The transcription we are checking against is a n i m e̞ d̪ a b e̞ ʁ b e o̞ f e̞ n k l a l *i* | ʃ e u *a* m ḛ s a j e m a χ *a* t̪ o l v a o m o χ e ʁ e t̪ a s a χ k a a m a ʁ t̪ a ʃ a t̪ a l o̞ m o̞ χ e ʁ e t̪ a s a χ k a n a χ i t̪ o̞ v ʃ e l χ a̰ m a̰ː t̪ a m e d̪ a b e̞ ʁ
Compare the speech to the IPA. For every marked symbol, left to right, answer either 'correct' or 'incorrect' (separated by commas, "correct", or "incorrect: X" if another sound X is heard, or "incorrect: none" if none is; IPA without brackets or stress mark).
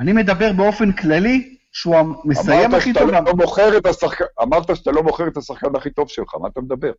correct, correct, incorrect: i